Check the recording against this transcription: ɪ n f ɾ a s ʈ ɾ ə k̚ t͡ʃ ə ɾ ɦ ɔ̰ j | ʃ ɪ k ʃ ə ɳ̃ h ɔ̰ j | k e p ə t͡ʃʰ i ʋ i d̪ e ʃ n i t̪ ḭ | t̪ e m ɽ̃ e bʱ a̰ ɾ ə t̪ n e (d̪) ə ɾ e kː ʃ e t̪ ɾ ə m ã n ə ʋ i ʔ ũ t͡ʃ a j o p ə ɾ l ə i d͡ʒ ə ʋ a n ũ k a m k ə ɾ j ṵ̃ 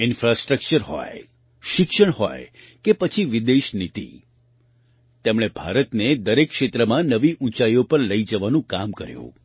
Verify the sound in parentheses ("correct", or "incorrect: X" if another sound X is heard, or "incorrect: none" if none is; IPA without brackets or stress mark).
correct